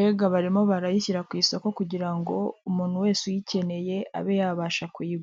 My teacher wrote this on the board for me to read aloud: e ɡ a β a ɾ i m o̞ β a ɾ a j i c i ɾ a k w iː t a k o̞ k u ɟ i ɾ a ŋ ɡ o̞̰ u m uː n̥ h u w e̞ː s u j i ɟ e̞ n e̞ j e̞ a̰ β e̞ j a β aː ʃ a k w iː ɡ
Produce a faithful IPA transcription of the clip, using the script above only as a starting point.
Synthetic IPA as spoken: e ɡ a β a ɾ i m o̞ β a ɾ a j i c i ɾ a k w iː s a k o̞ k u ɟ i ɾ a ŋ ɡ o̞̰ u m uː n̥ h u w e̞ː s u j i c e̞ n e̞ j e̞ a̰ β e̞ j a β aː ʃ a k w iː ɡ